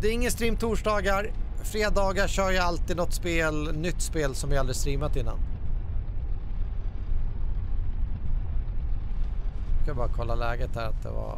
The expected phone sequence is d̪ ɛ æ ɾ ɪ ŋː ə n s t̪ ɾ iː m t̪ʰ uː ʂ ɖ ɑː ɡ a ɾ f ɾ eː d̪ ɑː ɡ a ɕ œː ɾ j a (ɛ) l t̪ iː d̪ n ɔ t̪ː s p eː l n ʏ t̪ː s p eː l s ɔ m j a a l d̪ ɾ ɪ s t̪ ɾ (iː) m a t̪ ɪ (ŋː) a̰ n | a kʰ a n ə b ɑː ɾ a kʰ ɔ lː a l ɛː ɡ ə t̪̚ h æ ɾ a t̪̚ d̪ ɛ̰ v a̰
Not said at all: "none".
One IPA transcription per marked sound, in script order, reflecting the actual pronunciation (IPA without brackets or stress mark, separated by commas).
a, iː, nː